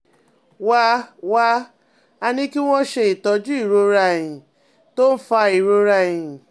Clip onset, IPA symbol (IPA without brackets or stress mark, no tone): w